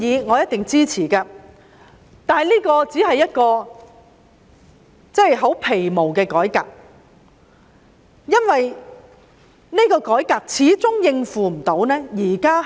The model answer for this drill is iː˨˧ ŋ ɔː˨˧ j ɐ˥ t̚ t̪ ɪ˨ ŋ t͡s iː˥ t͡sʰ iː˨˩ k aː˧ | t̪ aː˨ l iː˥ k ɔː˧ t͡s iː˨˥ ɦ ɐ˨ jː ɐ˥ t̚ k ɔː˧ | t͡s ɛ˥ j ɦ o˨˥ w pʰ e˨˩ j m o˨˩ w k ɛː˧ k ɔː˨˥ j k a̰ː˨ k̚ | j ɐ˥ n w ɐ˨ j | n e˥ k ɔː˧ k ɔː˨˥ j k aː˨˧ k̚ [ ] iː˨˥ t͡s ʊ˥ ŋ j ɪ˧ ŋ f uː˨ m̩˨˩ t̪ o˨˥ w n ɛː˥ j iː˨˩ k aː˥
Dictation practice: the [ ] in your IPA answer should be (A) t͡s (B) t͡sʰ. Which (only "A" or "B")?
B